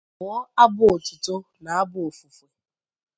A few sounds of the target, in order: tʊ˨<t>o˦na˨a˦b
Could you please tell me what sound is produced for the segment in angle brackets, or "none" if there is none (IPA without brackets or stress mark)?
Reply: t